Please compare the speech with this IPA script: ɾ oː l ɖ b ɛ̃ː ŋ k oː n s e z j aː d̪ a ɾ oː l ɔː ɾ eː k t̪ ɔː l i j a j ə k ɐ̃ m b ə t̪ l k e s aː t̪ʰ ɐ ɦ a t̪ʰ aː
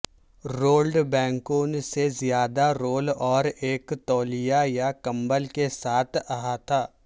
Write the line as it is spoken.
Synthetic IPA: ɾ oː l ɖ b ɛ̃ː ŋ k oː n s e z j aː d̪ a ɾ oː l ɔː ɾ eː k t̪ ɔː l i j a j a k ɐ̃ m b ə l k e s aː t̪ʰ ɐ ɦ a t̪ʰ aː